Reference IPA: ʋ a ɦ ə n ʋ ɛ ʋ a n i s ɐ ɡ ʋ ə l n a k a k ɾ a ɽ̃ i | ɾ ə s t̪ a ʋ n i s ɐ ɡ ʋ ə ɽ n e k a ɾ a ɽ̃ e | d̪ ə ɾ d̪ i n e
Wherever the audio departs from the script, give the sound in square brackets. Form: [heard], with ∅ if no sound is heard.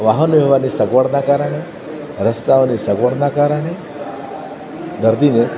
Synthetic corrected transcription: ʋ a ɦ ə n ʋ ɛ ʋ a n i s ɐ ɡ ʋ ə [ɽ] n a k a [∅] ɾ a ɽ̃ [e] | ɾ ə s t̪ a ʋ n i s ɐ ɡ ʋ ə ɽ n [a] k a ɾ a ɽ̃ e | d̪ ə ɾ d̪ i n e